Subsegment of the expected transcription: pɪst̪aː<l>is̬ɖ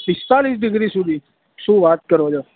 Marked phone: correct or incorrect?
correct